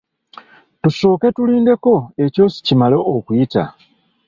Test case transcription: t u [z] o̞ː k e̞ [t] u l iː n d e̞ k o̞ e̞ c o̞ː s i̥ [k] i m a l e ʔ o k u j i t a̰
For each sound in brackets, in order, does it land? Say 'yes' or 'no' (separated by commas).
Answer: no, yes, no